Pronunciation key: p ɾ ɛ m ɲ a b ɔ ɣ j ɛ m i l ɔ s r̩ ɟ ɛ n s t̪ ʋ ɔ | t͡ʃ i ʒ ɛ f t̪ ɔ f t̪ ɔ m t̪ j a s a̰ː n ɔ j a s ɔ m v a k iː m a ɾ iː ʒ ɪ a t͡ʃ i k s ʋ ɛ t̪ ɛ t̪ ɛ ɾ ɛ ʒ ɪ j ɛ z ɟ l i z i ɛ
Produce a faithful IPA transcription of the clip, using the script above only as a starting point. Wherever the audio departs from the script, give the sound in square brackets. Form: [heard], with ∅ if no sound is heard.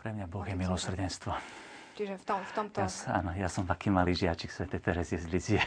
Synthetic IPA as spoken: p ɾ ɛ m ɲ a b ɔ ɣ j ɛ m i l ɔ s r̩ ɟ ɛ n s t̪ ʋ ɔ | t͡ʃ i ʒ ɛ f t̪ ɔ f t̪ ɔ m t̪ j a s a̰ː n ɔ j a s ɔ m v a k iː m a [l] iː ʒ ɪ a t͡ʃ i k s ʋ ɛ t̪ ɛ t̪ ɛ ɾ ɛ [z] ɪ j ɛ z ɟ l i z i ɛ